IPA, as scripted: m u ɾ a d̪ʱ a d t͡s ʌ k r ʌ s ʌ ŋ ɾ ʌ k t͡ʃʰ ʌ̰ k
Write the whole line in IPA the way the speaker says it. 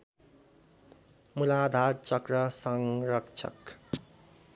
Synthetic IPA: m u l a d̪ʱ a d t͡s ʌ k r ʌ s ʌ ŋ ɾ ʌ k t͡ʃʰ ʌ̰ k